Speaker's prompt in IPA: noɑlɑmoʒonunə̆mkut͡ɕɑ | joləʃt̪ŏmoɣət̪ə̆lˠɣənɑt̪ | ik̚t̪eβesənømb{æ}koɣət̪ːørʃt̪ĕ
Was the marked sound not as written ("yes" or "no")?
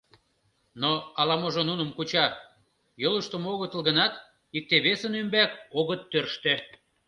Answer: no